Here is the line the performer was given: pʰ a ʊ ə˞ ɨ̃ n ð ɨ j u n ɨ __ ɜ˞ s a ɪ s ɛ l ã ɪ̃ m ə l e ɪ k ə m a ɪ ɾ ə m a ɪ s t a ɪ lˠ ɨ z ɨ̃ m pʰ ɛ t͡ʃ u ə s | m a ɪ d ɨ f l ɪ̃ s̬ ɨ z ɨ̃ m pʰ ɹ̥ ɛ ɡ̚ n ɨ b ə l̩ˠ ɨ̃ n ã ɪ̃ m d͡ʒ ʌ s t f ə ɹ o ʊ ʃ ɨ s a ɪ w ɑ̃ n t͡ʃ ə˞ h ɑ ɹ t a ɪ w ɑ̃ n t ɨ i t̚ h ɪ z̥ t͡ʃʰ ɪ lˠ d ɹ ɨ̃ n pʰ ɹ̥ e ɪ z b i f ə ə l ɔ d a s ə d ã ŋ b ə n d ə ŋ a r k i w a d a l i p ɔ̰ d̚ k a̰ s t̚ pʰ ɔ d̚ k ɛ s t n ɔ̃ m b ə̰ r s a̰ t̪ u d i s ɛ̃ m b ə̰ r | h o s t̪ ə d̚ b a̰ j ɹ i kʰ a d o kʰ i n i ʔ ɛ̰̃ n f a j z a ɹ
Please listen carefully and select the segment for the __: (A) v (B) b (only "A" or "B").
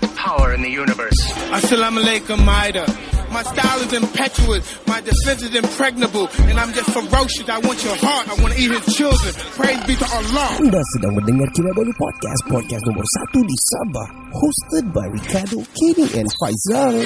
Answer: A